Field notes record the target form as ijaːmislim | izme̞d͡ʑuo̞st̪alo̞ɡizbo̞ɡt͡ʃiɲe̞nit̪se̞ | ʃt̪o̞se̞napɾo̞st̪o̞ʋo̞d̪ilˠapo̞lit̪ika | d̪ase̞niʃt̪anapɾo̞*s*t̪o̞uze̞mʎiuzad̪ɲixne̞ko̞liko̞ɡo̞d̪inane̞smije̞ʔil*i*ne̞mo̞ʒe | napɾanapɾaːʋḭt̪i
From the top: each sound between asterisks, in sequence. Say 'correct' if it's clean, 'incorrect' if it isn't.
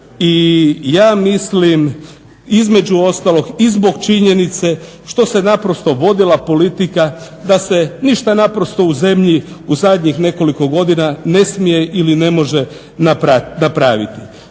correct, correct

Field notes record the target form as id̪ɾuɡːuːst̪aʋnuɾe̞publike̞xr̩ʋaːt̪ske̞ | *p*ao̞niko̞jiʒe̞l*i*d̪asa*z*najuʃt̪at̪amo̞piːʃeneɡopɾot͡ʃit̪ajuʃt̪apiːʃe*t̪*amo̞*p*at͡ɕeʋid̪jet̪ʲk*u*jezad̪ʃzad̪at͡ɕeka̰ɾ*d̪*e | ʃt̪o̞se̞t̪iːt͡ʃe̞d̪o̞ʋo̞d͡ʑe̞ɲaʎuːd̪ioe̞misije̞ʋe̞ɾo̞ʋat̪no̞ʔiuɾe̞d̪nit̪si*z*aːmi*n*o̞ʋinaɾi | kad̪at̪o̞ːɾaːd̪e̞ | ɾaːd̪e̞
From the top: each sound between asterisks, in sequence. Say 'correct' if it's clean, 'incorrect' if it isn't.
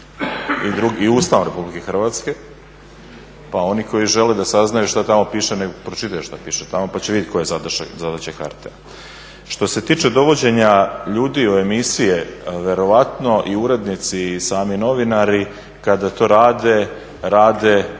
correct, incorrect, correct, correct, correct, incorrect, incorrect, incorrect, correct

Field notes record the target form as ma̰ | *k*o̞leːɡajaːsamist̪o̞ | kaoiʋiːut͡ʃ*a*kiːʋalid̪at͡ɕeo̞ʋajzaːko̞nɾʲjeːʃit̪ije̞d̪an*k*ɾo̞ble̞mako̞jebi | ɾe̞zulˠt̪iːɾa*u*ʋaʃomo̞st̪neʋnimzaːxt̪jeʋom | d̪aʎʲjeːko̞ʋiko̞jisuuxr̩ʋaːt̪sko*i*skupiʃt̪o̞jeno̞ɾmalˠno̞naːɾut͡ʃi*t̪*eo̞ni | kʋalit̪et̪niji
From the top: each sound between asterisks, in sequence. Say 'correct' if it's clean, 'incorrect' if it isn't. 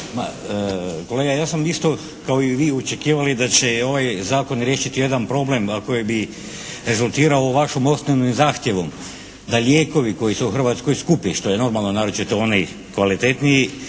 correct, incorrect, incorrect, incorrect, incorrect, correct

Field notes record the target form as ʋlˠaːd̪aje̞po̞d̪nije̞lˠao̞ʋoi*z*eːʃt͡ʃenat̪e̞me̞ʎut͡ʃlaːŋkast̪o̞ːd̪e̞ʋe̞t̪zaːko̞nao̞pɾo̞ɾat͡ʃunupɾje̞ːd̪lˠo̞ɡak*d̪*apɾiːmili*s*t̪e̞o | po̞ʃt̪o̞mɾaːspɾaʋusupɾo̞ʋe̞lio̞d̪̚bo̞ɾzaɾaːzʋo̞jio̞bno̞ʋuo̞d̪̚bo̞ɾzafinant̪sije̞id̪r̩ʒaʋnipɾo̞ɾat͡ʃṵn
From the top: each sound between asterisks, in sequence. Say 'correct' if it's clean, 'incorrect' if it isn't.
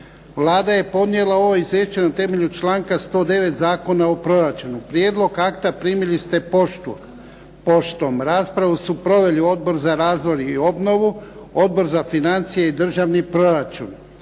correct, incorrect, correct

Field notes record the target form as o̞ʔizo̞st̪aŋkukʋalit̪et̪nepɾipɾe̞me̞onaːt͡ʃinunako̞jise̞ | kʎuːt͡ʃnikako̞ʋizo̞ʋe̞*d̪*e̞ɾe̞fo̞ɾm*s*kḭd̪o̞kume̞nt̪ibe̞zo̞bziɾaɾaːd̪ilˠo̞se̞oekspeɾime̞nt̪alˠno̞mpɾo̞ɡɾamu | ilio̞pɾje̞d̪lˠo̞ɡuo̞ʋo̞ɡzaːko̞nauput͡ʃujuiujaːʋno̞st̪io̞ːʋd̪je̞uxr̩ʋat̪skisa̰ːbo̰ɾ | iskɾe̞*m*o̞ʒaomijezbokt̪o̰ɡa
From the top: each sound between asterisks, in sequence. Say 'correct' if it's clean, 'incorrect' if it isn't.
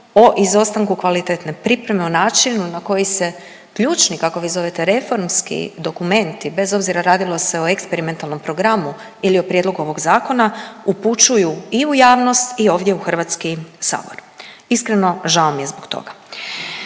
incorrect, correct, incorrect

